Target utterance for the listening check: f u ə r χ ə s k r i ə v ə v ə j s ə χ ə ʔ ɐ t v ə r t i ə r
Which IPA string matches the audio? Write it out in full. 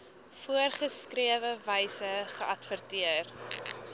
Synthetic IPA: f u ə r χ ə s k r i ə v ə v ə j s ə χ ə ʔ ɐ t f ə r t i ə r